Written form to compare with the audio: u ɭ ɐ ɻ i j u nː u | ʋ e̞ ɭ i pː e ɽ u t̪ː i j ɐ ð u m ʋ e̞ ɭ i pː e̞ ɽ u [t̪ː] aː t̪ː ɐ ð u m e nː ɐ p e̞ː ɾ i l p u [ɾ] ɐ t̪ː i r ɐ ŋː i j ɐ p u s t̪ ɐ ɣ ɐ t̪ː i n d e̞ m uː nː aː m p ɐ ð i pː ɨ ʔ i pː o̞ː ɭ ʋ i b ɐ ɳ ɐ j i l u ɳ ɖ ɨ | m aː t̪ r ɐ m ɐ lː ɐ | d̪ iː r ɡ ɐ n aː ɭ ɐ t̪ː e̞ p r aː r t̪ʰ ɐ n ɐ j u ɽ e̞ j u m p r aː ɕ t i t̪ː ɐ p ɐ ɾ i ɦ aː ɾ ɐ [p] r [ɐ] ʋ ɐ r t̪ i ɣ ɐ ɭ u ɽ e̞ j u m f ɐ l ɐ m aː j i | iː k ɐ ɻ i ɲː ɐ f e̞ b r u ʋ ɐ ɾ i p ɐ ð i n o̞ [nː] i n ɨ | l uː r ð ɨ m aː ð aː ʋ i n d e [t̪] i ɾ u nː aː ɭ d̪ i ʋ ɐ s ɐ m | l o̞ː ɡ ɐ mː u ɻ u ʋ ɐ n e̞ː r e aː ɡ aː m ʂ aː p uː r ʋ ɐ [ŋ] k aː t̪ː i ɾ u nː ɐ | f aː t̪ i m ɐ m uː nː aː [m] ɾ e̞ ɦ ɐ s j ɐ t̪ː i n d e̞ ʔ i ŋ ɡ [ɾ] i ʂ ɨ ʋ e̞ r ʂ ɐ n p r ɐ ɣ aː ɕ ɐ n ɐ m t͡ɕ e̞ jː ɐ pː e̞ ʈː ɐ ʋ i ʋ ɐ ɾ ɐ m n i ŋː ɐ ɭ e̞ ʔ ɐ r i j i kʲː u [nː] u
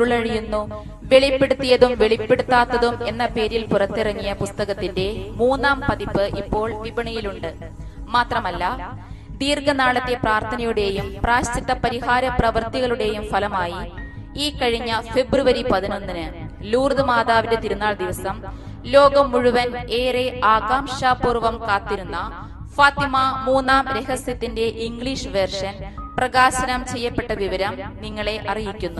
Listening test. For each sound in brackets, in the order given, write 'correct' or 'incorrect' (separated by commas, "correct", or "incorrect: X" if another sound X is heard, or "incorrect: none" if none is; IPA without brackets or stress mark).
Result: correct, incorrect: r, correct, correct, correct, correct, incorrect: m, correct, incorrect: ɭ, correct